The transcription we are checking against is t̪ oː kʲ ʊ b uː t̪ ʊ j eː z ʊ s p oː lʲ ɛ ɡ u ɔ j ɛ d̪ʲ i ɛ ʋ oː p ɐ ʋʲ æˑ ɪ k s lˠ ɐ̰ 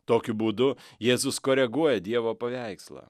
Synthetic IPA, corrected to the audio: t̪ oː kʲ ʊ b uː d̪ ʊ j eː z ʊ s k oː ɾʲ ɛ ɡ u ɔ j ɛ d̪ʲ i ɛ ʋ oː p ɐ ʋʲ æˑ ɪ k s lˠ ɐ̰